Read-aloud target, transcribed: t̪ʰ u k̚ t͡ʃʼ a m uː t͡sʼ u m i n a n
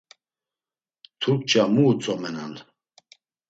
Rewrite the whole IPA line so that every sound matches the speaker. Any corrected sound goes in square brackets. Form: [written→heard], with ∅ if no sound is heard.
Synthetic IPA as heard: t̪ʰ u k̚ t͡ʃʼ a m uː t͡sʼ [u→ɔ] m [i→ɛ] n a n